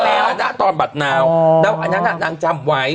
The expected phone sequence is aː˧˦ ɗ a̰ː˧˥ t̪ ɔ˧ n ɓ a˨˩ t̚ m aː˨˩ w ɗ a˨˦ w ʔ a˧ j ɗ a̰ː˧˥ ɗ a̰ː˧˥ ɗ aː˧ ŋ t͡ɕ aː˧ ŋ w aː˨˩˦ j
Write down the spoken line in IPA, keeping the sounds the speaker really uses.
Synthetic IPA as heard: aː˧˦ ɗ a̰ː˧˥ t̪ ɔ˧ n ɓ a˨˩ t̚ n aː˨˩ w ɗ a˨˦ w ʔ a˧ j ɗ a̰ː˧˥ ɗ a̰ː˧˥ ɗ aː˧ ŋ t͡ɕ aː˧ m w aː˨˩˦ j